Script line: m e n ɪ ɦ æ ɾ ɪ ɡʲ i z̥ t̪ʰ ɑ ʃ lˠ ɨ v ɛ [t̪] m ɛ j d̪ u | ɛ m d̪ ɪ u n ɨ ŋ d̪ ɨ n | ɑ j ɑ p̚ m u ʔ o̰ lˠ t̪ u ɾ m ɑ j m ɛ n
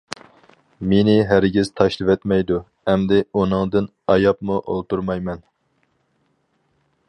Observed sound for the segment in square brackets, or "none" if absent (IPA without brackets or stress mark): t̪